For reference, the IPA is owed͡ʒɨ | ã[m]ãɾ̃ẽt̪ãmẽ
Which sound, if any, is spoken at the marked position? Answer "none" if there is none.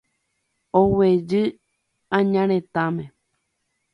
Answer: ɲ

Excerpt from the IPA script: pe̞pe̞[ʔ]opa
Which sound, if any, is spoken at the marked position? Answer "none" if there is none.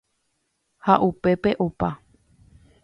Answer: ʔ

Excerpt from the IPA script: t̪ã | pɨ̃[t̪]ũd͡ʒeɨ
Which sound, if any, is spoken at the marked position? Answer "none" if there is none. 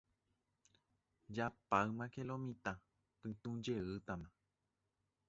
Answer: t̪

